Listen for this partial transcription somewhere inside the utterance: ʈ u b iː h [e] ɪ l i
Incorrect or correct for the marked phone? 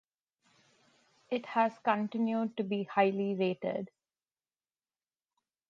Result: incorrect: a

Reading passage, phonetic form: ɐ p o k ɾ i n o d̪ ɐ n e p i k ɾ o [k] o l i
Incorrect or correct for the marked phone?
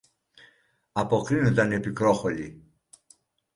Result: incorrect: x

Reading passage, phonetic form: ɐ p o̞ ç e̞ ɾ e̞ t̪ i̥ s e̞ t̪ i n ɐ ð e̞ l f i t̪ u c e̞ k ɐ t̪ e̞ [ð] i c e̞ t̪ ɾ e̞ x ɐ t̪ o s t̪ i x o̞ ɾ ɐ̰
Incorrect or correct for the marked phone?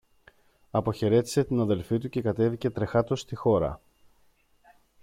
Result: incorrect: v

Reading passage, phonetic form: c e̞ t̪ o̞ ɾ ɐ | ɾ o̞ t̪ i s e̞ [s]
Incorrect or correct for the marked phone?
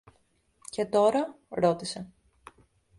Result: incorrect: none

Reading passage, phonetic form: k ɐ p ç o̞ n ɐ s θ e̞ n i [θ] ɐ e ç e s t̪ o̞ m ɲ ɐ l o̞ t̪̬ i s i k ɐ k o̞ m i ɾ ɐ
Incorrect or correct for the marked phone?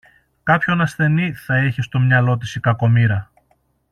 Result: correct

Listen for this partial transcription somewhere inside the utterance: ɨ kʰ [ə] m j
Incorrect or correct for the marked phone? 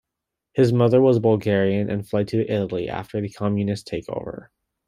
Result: incorrect: ɑ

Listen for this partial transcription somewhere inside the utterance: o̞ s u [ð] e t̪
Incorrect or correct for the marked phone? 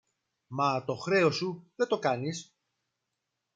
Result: correct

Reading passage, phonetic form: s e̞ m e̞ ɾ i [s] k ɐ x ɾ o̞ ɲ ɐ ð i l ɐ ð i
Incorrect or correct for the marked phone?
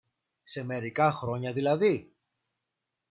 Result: incorrect: none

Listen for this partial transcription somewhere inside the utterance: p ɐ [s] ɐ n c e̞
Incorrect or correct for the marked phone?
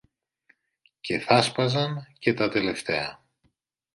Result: incorrect: z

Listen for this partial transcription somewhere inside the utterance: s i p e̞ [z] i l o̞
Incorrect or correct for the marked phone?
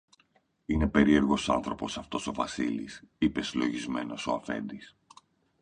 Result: incorrect: s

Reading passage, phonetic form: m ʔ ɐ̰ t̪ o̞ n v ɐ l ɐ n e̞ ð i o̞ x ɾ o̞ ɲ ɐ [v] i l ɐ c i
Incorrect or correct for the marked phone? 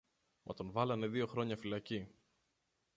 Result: incorrect: f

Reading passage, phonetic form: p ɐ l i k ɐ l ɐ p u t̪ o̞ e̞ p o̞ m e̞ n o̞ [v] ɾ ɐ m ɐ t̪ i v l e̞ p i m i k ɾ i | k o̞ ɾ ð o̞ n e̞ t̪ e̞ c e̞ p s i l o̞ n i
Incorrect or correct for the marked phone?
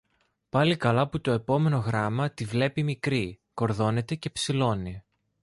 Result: incorrect: ɣ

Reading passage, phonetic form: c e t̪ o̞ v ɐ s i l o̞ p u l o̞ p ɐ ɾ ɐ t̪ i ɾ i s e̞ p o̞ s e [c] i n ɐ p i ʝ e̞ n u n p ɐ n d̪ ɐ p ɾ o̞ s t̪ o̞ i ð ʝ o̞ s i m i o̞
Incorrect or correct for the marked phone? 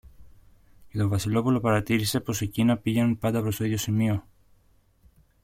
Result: correct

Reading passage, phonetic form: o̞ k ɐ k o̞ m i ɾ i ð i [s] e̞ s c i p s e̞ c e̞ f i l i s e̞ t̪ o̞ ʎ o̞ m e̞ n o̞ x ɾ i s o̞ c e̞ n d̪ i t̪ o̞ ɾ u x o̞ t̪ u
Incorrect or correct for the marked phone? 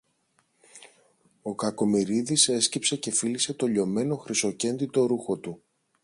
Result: correct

